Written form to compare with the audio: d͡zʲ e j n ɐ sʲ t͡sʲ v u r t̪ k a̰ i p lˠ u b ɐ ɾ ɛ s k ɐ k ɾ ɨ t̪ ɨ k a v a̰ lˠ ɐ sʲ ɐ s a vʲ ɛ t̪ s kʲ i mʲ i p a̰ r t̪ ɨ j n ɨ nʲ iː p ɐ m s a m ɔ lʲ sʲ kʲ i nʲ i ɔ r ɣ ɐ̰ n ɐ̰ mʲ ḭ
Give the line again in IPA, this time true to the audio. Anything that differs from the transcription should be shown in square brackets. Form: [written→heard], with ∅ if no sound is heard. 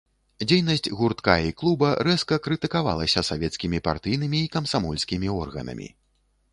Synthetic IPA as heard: d͡zʲ e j n ɐ sʲ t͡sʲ [v→ɣ] u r t̪ k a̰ i [p→k] lˠ u b ɐ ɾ ɛ s k ɐ k ɾ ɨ t̪ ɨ k a v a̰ lˠ ɐ sʲ ɐ s a vʲ ɛ t̪ s kʲ i mʲ i p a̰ r t̪ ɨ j n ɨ [nʲ→mʲ] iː [p→k] ɐ m s a m ɔ lʲ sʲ kʲ i [nʲ→mʲ] i ɔ r ɣ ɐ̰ n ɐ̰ mʲ ḭ